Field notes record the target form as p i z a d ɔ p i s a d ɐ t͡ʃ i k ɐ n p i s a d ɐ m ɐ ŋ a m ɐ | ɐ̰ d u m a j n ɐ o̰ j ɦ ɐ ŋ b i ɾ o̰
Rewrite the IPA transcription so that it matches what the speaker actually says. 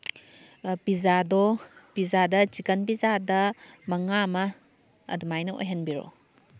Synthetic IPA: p i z a d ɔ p i z a d ɐ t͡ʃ i k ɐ n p i z a d ɐ m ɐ ŋ a m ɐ | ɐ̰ d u m a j n ɐ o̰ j ɦ ɐ n b i ɾ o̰